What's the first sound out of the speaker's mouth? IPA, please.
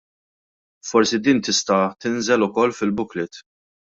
f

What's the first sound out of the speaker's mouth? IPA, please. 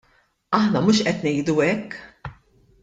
ɐ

